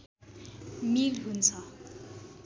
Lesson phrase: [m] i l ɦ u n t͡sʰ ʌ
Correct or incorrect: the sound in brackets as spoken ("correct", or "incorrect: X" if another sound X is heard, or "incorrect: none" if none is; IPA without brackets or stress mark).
correct